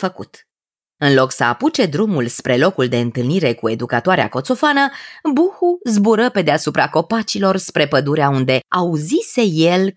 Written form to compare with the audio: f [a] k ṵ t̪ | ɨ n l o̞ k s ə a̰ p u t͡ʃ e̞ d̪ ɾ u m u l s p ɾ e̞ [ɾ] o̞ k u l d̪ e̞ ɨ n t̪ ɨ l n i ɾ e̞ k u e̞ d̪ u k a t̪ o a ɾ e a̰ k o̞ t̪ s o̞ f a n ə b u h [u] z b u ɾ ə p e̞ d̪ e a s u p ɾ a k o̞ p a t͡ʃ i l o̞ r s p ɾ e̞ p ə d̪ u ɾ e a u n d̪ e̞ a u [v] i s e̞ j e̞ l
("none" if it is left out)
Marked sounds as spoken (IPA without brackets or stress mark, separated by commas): ə, l, u, z